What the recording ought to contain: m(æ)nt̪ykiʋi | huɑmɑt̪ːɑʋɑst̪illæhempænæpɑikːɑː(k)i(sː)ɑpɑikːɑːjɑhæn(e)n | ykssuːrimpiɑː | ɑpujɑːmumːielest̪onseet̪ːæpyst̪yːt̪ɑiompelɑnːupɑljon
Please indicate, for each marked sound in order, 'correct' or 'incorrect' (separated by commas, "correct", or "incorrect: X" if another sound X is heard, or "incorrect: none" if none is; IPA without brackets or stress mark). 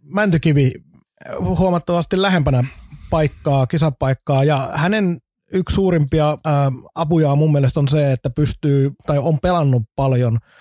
correct, correct, incorrect: s, correct